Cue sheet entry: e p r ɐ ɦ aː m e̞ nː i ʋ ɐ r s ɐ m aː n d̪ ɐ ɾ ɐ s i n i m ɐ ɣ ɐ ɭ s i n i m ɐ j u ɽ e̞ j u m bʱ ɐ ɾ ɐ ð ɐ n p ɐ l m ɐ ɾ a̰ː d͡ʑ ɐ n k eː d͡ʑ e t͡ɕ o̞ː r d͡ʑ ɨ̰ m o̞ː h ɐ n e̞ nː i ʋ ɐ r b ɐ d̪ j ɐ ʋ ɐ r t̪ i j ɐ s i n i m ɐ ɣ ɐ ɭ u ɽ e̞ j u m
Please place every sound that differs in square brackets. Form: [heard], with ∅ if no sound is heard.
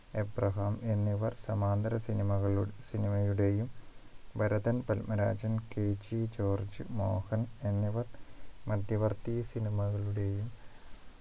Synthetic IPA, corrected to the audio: e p r ɐ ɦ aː m e̞ nː i ʋ ɐ r s ɐ m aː n d̪ ɐ ɾ ɐ s i n i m ɐ ɣ ɐ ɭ s i n i m ɐ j u ɽ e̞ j u m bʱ ɐ ɾ ɐ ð ɐ n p ɐ l m ɐ ɾ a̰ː d͡ʑ ɐ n k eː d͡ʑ [i] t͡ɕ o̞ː r d͡ʑ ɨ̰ m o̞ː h ɐ n e̞ nː i ʋ ɐ r [m] ɐ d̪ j ɐ ʋ ɐ r t̪ i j ɐ s i n i m ɐ ɣ ɐ ɭ u ɽ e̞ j u m

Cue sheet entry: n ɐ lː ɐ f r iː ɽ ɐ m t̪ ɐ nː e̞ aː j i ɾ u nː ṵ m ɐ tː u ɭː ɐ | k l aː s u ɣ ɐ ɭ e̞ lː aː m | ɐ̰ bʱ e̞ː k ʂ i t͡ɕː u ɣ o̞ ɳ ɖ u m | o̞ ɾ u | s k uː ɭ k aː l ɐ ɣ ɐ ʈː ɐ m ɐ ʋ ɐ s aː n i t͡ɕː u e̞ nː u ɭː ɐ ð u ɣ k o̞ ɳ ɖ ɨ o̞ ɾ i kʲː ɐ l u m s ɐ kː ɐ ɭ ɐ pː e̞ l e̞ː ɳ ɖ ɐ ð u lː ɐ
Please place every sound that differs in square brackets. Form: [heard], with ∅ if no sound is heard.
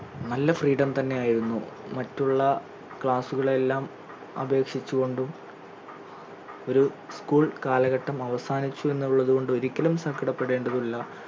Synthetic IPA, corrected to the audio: n ɐ lː ɐ f r iː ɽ ɐ m t̪ ɐ nː e̞ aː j i ɾ u nː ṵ m ɐ tː u ɭː ɐ | k [ɭ] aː s u ɣ ɐ ɭ e̞ lː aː m | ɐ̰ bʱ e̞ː k ʂ i t͡ɕː u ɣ o̞ ɳ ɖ u m | o̞ ɾ u | s k uː ɭ k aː l ɐ ɣ ɐ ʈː ɐ m ɐ ʋ ɐ s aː n i t͡ɕː u e̞ nː u ɭː ɐ ð u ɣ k o̞ ɳ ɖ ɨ o̞ ɾ i kʲː ɐ l u m s ɐ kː ɐ [ɽ] ɐ pː e̞ [ɽ] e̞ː ɳ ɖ ɐ ð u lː ɐ

